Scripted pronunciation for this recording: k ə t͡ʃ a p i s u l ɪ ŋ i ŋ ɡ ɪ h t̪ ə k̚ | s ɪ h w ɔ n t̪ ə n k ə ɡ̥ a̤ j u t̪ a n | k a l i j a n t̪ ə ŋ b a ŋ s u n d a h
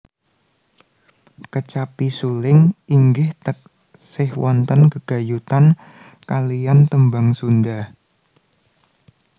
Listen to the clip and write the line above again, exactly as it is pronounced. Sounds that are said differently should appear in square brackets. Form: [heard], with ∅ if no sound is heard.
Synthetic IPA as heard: k ə t͡ʃ a p i s u l ɪ ŋ i ŋ ɡ ɪ h t̪ ə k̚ | s ɪ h w ɔ n t̪ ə n k ə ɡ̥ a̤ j u t̪ a n | k a l i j a n t̪ ə [m] b a ŋ s u n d a h